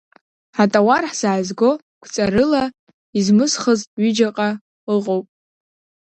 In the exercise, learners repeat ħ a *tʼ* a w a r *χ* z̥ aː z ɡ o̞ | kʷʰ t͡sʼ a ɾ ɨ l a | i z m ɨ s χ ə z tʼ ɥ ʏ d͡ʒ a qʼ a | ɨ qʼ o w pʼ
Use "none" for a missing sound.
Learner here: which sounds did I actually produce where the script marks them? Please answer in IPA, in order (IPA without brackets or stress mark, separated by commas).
tʼ, ħ